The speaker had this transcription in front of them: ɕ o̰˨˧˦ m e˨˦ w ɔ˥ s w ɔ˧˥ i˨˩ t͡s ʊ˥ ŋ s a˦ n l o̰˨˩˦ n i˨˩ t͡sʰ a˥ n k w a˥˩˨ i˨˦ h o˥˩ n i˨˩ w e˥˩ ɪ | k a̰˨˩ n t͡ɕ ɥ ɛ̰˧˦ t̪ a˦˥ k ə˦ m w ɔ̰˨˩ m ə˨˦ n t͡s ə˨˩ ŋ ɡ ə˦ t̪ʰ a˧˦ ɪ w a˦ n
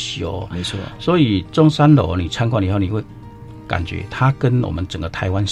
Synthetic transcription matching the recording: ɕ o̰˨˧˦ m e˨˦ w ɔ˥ s w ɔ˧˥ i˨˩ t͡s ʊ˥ ŋ s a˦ n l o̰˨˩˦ n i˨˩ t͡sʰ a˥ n k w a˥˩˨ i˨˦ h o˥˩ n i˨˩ w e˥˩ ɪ | k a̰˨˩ n t͡ɕ ɥ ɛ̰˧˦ t̪ʰ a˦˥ k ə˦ n w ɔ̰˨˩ m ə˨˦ n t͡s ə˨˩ ŋ ɡ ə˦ t̪ʰ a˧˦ ɪ w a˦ n